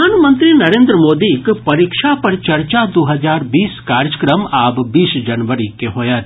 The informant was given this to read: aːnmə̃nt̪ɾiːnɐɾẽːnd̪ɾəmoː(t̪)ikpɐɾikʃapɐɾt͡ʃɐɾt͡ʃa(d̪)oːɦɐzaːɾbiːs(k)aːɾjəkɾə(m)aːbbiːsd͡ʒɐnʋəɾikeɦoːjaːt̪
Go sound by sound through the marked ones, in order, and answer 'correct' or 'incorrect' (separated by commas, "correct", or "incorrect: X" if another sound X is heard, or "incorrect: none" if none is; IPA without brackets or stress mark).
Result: incorrect: d̪, correct, correct, correct